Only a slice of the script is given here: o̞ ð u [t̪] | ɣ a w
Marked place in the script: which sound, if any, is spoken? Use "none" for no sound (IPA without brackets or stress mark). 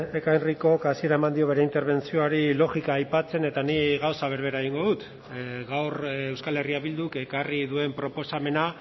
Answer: t̪